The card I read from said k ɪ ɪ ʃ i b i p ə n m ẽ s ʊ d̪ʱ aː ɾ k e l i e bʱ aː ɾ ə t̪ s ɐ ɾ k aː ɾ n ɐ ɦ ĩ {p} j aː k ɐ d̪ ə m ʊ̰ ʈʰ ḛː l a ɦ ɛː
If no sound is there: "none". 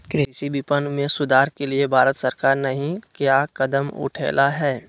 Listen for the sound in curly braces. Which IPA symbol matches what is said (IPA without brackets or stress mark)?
k